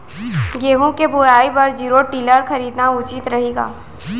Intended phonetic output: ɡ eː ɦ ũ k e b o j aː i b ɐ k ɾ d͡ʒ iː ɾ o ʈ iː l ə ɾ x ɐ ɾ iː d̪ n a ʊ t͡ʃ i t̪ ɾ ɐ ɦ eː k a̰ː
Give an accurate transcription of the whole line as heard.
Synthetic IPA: ɡ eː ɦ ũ k e b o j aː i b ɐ ɾ d͡ʒ iː ɾ o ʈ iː l ə ɾ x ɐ ɾ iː d̪ n a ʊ t͡ʃ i t̪ ɾ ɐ ɦ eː ɡ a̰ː